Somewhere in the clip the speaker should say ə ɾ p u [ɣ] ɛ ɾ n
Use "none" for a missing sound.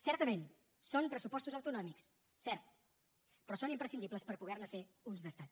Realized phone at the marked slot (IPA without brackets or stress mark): ɣ